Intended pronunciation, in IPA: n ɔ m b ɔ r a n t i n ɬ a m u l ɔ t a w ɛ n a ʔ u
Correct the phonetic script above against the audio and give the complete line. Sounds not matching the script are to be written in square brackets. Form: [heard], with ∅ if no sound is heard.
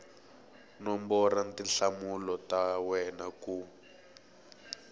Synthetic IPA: n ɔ m b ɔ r a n t i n ɬ a m u l ɔ t a w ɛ n a [k] u